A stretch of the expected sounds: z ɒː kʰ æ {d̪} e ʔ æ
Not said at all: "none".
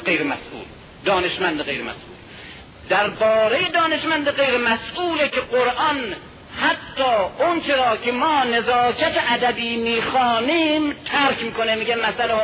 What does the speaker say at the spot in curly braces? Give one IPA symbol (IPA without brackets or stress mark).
t̪